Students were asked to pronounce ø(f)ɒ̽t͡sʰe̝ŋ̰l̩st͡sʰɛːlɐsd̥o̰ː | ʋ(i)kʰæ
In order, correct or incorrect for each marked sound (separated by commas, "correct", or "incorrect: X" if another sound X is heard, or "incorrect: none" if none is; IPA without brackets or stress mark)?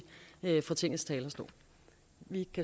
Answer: correct, correct